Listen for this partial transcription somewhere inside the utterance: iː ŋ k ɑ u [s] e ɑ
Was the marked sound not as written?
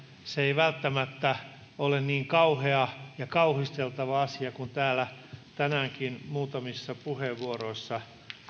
yes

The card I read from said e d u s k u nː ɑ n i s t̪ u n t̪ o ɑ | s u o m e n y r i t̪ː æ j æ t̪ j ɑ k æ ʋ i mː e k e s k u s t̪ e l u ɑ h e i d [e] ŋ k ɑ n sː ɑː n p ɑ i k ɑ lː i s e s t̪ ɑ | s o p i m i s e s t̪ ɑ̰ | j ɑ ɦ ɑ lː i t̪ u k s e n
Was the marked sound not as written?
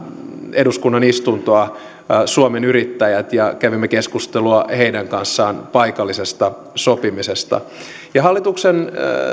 yes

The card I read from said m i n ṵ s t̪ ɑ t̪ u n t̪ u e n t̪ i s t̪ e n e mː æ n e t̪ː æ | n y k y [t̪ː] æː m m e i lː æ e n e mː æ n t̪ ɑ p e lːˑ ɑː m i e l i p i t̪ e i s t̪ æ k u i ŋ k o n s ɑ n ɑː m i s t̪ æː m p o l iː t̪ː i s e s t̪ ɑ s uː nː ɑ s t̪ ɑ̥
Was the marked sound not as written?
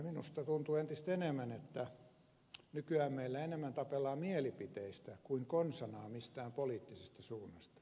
yes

